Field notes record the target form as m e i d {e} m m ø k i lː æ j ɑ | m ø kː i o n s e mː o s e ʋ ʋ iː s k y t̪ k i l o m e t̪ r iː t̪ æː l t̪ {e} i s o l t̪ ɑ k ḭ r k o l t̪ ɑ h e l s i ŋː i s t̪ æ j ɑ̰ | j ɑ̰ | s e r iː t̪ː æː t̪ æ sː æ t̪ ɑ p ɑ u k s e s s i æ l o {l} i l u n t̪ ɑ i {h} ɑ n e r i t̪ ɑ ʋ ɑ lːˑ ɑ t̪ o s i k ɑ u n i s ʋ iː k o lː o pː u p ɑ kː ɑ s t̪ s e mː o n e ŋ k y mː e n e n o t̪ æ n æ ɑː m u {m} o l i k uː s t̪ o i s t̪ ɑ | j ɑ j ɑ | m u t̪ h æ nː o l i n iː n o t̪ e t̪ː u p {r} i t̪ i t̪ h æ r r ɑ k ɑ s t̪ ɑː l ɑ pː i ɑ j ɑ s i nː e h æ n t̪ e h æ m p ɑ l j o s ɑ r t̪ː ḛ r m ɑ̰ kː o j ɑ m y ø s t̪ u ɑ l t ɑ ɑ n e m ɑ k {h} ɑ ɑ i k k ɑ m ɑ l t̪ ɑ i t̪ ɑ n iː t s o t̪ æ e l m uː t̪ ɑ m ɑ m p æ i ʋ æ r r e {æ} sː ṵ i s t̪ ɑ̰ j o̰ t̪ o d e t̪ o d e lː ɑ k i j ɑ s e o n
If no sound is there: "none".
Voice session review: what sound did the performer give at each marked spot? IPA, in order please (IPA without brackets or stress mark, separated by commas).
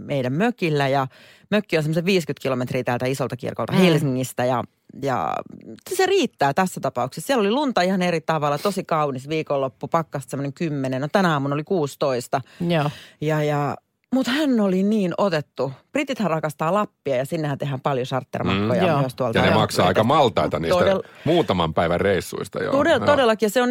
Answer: æ, æ, l, h, n, r, s, i